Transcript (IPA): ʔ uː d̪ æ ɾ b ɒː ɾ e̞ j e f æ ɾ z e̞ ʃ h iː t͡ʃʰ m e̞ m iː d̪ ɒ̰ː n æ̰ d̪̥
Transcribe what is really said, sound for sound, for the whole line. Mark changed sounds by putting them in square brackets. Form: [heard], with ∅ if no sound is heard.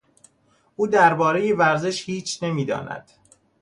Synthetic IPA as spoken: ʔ uː d̪ æ ɾ b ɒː ɾ e̞ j e [v] æ ɾ z e̞ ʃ h iː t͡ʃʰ [n] e̞ m iː d̪ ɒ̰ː n æ̰ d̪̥